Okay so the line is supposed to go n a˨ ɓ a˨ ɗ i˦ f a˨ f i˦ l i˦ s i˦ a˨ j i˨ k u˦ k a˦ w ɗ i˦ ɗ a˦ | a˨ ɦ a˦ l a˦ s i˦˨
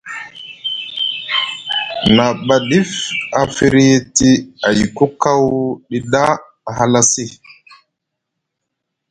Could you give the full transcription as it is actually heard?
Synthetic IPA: n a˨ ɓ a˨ ɗ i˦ f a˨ f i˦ ɾ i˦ t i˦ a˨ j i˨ k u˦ k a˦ w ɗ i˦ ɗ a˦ | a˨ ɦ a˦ l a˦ s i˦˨